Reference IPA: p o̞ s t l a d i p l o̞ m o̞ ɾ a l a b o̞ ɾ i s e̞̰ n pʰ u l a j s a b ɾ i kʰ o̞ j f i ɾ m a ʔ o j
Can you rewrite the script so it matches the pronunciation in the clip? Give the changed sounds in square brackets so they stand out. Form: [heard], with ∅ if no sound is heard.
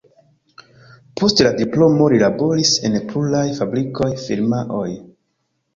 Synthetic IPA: p o̞ s t l a d i p l o̞ m o̞ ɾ [i] l a b o̞ ɾ i s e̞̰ n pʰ u l a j [f] a b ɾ i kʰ o̞ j f i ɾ m a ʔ o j